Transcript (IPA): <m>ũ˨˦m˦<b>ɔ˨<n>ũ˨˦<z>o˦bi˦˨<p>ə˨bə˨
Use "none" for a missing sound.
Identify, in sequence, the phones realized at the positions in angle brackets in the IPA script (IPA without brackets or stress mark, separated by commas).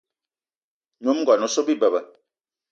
ɲ, ɡ, n, s, b